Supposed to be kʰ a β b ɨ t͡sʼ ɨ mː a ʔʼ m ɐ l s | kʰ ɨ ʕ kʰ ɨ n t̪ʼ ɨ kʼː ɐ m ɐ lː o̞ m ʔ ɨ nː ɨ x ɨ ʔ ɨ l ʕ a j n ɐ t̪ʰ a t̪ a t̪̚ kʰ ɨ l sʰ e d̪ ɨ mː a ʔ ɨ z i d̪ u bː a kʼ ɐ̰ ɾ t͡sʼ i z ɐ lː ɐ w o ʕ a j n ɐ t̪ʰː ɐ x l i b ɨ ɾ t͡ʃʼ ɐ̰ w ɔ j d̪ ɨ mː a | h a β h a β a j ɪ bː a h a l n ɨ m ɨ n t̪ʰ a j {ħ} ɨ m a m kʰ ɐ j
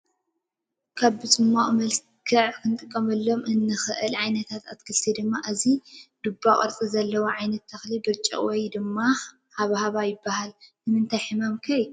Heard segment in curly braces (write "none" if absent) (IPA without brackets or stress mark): ħ